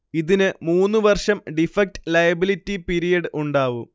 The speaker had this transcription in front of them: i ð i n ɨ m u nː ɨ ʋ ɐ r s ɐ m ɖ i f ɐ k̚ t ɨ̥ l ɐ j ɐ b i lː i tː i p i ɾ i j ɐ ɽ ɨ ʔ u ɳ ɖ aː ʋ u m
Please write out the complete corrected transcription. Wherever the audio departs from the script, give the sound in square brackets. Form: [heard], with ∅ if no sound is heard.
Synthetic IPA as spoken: i ð i n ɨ m [uː] nː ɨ ʋ ɐ r [ʂ] ɐ m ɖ i f ɐ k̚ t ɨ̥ l ɐ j ɐ b i [l] i tː i p i ɾ i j ɐ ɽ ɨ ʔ u ɳ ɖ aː ʋ u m